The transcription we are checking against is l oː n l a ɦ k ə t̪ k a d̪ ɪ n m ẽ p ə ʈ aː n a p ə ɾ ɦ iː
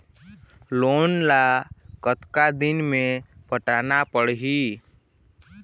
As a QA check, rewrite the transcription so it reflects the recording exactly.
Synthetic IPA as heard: l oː n l a k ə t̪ k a d̪ ɪ n m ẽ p ə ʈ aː n a p ə ɽ ɦ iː